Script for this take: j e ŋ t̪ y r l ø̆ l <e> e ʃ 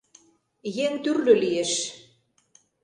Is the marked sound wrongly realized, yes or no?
yes